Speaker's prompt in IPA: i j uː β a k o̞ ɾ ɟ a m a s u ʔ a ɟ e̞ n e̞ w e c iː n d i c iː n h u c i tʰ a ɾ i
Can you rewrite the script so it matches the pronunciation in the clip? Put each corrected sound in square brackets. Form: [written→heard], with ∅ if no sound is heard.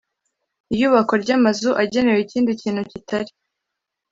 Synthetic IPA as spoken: i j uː β a k o̞ ɾ ɟ a m a [s→z] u ʔ a ɟ e̞ n e̞ w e c iː n d i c iː n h u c i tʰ a ɾ i